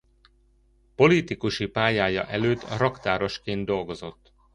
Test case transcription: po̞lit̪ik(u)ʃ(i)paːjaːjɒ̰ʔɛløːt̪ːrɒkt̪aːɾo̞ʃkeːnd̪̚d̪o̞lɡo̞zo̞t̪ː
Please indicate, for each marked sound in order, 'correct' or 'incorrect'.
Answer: correct, correct

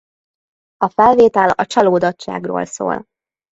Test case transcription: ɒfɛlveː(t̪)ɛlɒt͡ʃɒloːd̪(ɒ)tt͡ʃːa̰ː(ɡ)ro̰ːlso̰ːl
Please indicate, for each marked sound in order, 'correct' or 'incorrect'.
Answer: correct, correct, correct

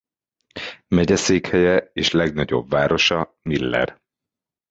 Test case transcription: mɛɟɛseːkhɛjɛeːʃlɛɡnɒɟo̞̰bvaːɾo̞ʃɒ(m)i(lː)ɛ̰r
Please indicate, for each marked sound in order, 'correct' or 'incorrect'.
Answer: correct, correct

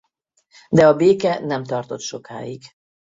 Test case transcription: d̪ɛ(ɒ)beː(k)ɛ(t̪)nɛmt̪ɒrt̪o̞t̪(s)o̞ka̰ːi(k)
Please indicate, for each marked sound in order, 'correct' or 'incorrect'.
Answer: correct, correct, incorrect: none, incorrect: ʃ, incorrect: ɡ

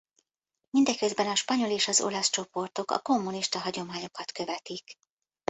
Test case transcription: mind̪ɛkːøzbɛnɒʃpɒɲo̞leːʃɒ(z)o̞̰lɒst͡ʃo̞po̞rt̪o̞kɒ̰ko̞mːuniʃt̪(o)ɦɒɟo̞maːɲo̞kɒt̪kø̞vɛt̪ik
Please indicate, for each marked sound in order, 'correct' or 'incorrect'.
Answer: correct, incorrect: ɒ

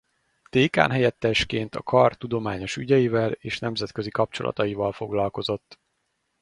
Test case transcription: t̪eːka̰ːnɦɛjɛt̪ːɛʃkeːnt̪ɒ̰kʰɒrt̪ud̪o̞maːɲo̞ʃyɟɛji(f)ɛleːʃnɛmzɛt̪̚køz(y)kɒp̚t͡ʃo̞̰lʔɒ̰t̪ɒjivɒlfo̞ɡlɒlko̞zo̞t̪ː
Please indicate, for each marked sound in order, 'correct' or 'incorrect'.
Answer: incorrect: v, incorrect: i

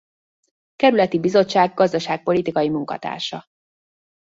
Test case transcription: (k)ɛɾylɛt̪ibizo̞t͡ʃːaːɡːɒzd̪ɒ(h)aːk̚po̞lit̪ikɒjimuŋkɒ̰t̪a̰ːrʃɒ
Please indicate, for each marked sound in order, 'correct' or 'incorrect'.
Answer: correct, incorrect: ʃ

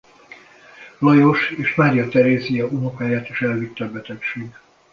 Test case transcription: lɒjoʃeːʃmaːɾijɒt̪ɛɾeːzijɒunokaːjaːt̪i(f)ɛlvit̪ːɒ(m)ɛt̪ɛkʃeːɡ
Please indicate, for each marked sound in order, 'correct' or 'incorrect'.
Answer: incorrect: ʃ, incorrect: b

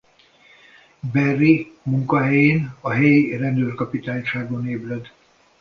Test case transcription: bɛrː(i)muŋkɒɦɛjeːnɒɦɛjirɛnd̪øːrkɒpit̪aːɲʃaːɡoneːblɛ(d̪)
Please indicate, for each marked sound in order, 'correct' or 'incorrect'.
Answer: correct, correct

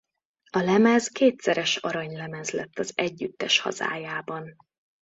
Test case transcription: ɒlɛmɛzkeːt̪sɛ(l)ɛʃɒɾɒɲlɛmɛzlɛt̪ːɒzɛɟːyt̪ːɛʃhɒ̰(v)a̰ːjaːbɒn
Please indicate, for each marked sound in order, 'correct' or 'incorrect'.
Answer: incorrect: ɾ, incorrect: z

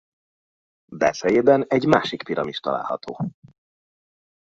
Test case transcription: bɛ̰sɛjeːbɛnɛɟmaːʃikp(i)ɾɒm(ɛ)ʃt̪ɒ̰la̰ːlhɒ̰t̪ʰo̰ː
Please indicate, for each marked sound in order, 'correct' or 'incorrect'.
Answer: correct, incorrect: i

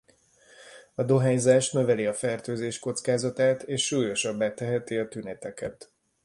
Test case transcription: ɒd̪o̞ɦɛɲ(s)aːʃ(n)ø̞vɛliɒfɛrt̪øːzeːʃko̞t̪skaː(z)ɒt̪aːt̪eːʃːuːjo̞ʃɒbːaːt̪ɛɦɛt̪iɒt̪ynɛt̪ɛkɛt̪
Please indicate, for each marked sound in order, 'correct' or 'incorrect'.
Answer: incorrect: z, correct, correct

